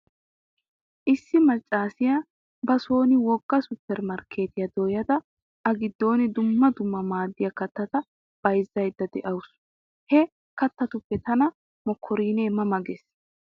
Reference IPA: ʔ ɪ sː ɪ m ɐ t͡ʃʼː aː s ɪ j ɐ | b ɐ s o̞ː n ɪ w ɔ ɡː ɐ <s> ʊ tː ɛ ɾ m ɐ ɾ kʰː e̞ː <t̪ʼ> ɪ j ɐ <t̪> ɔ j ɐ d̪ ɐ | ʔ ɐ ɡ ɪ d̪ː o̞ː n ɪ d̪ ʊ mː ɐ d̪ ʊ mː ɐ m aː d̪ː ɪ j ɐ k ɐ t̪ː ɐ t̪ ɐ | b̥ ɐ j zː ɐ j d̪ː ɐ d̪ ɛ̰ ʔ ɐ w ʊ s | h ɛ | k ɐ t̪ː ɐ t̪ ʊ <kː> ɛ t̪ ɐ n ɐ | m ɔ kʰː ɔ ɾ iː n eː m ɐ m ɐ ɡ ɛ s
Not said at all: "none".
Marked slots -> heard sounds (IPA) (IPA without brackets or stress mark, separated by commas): s, t̪, d̪, pː